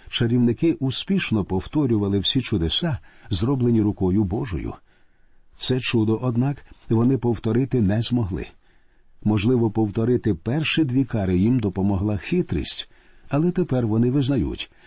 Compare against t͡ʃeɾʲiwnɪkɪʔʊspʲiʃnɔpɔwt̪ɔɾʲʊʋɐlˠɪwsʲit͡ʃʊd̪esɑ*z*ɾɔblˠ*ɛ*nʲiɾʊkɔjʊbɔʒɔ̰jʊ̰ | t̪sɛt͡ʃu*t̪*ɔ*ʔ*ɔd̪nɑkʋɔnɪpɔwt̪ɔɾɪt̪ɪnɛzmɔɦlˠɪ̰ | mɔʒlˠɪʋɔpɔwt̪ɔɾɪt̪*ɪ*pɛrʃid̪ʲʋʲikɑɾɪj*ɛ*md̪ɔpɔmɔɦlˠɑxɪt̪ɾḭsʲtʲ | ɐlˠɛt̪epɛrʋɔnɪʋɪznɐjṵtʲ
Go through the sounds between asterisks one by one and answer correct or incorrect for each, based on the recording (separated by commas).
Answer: correct, incorrect, incorrect, correct, correct, incorrect